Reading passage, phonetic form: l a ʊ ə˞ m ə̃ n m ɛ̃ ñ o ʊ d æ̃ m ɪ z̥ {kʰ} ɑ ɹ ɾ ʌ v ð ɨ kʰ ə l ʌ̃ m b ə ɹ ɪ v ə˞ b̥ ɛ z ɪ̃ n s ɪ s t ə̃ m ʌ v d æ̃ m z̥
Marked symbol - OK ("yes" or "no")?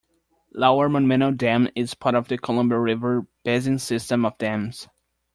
no